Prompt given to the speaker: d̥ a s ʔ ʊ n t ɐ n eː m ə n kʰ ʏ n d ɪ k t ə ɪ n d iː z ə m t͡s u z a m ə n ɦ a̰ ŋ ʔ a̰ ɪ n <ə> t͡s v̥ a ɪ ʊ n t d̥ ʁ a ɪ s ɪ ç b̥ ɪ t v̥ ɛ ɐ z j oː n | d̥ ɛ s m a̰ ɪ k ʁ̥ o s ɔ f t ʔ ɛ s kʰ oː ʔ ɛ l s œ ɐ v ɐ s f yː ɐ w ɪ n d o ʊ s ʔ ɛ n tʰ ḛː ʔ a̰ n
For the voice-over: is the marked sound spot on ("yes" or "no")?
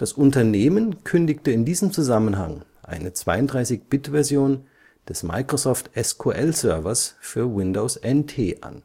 yes